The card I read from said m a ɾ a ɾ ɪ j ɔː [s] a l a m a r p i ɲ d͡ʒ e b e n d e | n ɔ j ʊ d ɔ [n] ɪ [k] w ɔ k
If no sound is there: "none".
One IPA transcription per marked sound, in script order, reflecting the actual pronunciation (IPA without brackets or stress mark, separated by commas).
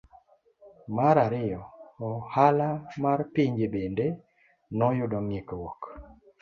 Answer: h, ŋ, k